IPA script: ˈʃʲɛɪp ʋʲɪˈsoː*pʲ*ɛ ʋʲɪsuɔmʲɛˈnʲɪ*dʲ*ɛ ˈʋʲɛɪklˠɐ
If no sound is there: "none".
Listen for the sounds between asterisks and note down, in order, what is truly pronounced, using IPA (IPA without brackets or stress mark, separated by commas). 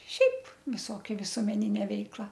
kʲ, nʲ